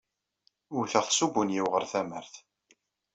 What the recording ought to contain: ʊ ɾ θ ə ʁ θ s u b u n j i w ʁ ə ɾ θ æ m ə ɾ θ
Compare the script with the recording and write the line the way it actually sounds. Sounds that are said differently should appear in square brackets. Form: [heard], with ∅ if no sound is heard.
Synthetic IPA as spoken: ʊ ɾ θ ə ʁ θ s u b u n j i w ʁ ə ɾ θ æ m ə ɾ θ